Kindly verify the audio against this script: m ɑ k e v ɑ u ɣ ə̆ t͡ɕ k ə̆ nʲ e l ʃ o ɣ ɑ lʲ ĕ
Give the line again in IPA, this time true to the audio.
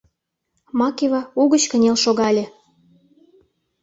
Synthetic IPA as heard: m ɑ k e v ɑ u ɣ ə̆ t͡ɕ k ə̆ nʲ e l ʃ o ɣ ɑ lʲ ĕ